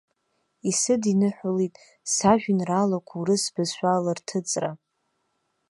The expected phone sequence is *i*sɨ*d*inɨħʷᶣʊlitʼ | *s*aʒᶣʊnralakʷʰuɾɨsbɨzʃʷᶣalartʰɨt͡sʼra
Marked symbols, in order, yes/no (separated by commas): yes, yes, yes